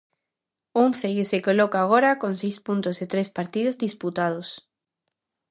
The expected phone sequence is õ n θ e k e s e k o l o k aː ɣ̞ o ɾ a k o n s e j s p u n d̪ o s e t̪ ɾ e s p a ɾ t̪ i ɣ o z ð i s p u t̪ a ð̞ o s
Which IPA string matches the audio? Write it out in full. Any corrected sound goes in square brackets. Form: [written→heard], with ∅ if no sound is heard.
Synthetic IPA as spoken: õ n θ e k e s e k o l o k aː ɣ̞ o ɾ a k o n s e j s p u n [d̪→t̪] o s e t̪ ɾ e s p a ɾ t̪ i [ɣ→ð] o z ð i s p u t̪ a ð̞ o s